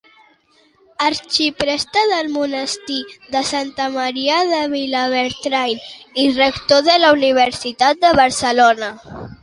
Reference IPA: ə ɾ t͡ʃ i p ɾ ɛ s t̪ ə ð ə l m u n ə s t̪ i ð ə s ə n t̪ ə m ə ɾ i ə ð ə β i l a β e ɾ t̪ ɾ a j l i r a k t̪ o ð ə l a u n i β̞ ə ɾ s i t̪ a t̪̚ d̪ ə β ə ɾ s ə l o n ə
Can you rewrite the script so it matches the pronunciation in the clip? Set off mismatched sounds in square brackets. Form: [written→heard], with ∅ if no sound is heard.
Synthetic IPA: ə ɾ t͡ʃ i p ɾ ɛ s t̪ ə ð ə l m u n ə s t̪ i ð ə s [ə→a] n t̪ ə m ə ɾ i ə ð ə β i l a β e ɾ t̪ ɾ a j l i r [a→ə] k t̪ o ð ə l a u n i β̞ ə ɾ s i t̪ a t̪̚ d̪ ə β ə ɾ s ə l o n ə